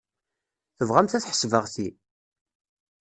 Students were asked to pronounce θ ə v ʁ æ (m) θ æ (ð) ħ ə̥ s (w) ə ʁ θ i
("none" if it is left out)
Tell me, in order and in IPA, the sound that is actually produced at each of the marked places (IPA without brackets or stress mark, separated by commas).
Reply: m, θ, v